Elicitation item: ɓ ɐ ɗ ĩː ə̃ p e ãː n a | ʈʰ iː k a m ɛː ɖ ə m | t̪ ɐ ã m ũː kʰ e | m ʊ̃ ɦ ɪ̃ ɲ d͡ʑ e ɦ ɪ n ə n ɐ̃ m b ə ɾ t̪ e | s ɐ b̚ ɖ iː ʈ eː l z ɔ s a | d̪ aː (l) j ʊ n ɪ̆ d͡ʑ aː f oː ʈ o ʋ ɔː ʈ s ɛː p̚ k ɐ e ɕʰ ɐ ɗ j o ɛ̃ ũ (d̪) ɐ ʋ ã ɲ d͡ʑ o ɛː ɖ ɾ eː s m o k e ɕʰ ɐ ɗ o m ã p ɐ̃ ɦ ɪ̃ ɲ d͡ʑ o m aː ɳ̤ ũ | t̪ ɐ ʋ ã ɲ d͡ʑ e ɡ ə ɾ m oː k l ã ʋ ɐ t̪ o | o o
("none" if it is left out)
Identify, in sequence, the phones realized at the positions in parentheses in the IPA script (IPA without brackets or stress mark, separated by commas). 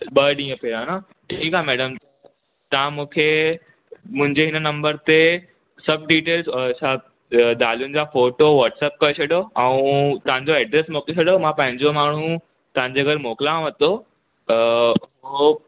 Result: l, t̪